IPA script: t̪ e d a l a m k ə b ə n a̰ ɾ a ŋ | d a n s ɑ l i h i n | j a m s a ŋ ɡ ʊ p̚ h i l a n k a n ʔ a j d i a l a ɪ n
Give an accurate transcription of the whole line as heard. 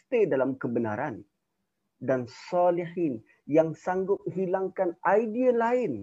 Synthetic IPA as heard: t̪ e d a l a m k ə b ə n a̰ ɾ a n | d a n s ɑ l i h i n | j a ŋ s a ŋ ɡ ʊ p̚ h i l a ŋ k a n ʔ a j d i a l a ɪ n